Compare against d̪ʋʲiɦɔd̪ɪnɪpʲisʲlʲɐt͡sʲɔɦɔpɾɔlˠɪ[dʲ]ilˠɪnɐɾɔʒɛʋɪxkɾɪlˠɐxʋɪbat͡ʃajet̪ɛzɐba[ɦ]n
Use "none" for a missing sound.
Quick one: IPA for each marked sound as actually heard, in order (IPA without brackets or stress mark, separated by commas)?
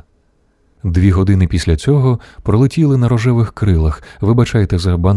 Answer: tʲ, none